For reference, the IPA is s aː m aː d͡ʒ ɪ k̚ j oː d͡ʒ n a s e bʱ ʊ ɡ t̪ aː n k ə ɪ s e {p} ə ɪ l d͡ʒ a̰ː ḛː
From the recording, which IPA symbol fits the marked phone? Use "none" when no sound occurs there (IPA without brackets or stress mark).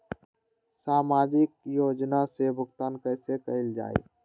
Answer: k